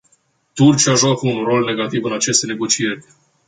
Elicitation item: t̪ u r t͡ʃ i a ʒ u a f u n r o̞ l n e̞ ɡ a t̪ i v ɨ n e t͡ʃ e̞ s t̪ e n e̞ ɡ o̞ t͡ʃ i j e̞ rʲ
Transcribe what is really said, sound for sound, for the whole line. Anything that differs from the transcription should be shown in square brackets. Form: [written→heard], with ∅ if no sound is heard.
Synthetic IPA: t̪ u r t͡ʃ i a ʒ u a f u n r o̞ l n e̞ ɡ a t̪ i v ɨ n [e→a] t͡ʃ e̞ s t̪ e n e̞ ɡ o̞ t͡ʃ i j e̞ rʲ